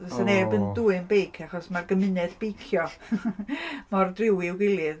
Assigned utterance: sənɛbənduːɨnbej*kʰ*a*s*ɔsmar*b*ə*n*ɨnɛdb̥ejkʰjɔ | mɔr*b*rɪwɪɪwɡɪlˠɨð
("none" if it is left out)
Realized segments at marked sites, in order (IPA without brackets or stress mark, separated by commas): kʰ, χ, ɡ, m, d